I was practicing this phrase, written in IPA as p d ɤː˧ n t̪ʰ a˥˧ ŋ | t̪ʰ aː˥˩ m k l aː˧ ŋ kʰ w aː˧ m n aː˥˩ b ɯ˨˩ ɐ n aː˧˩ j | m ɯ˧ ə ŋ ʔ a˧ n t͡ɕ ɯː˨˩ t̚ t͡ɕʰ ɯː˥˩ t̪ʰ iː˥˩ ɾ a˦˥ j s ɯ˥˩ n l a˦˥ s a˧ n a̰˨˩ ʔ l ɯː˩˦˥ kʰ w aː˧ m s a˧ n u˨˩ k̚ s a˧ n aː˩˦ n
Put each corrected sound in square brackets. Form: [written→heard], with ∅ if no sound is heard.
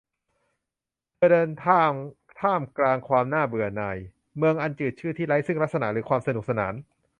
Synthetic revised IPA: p d ɤː˧ n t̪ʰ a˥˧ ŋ | t̪ʰ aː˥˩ m k l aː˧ ŋ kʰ w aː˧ m n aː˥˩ b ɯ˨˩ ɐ n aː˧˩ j | m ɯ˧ ə ŋ ʔ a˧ n t͡ɕ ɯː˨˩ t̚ t͡ɕʰ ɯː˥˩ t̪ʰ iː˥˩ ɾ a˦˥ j s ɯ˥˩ [n→ŋ] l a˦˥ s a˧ n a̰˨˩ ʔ [l→ɾ] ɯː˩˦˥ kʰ w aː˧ m s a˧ n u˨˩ k̚ s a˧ n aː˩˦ n